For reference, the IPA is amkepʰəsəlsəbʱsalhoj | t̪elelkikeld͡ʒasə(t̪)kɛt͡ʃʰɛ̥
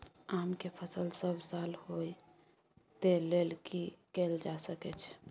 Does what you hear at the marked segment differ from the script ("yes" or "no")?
yes